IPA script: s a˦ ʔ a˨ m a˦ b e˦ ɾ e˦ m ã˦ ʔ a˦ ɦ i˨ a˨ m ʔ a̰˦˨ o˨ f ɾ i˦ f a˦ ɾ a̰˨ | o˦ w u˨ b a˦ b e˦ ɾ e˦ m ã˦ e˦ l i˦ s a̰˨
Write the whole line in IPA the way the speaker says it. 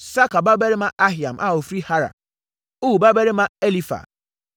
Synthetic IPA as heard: s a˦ k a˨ b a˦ b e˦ ɾ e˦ m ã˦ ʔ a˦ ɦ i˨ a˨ m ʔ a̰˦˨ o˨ f ɾ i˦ h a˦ ɾ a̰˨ | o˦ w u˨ b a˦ b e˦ ɾ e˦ m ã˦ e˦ l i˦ f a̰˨